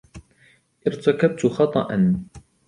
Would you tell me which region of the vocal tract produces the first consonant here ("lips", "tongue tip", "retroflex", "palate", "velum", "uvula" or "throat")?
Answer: throat